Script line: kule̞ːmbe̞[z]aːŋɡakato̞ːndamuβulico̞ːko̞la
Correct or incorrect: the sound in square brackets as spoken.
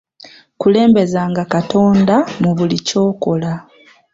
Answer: correct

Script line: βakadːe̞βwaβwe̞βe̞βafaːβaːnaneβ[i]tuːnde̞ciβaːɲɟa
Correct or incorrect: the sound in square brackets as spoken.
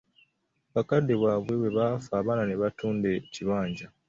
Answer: incorrect: a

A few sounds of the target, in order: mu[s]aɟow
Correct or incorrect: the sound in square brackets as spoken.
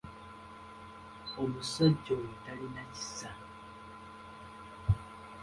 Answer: correct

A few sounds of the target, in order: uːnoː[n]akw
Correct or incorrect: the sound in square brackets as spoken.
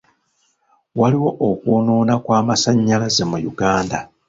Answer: correct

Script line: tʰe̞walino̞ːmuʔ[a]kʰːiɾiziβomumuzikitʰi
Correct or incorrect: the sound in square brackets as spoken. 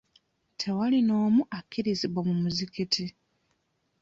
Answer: correct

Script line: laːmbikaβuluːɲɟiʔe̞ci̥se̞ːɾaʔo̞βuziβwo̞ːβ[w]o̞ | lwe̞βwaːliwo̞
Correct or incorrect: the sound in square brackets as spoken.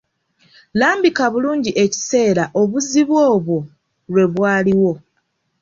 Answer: correct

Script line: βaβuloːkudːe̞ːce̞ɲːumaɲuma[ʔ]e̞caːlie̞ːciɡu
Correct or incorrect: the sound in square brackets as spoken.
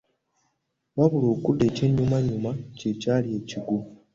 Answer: incorrect: c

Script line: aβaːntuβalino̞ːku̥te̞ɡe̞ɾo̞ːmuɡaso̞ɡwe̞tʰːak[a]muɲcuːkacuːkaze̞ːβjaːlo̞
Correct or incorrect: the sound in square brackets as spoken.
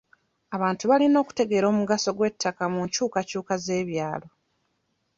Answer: correct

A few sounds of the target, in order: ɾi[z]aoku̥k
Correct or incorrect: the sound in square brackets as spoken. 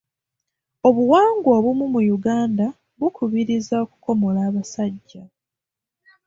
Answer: correct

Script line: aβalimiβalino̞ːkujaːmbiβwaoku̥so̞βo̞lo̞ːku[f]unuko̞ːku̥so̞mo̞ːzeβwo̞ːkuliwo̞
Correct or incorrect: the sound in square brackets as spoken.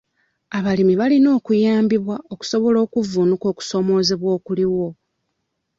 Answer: incorrect: v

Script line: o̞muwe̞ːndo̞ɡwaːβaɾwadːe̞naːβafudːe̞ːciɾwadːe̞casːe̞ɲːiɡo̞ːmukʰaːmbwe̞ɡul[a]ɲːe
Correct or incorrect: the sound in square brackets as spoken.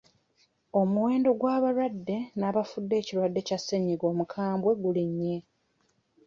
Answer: incorrect: i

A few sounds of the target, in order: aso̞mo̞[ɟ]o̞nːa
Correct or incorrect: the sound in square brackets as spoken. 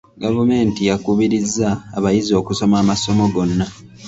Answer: incorrect: ɡ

